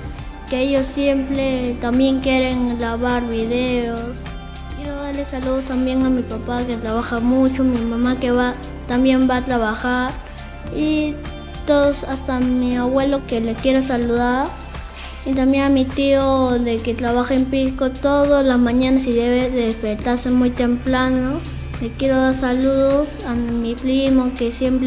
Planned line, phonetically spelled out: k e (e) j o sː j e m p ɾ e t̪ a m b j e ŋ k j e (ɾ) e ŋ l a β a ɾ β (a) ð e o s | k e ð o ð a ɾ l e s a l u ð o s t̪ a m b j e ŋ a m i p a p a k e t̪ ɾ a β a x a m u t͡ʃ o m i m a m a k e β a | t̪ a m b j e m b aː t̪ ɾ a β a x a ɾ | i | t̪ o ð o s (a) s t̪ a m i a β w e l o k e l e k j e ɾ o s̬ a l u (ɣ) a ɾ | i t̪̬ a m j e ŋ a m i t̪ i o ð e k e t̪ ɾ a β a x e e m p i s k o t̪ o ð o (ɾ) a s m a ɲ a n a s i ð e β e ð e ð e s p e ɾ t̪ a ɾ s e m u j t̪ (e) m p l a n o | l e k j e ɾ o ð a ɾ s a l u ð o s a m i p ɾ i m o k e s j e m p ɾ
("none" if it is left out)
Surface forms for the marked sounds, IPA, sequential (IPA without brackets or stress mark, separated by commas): e, ɾ, i, a, ð, l, e